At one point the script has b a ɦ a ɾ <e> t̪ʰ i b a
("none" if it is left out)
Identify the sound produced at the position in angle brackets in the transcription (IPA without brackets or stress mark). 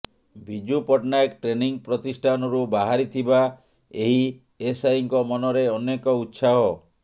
i